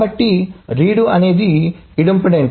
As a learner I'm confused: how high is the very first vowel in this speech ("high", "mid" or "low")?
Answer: low